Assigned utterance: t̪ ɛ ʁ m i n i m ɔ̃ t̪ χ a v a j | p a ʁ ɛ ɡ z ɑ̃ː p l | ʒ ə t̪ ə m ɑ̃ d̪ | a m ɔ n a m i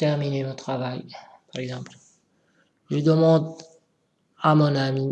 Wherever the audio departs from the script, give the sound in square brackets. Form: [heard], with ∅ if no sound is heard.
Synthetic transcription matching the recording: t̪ ɛ ʁ m i n [e] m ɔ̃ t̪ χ a v a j | p a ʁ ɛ ɡ z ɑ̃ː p l | ʒ ə [d̪] ə m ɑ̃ d̪ | a m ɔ n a m i